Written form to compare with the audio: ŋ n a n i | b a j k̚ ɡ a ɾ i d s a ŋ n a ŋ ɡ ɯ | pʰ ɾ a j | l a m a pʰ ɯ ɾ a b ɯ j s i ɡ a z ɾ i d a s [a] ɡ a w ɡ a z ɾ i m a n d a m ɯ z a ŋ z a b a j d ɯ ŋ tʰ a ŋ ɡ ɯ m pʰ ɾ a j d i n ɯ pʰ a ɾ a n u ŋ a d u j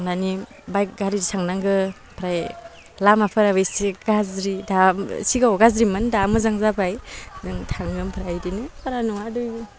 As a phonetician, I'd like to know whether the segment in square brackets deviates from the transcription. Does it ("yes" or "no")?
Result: yes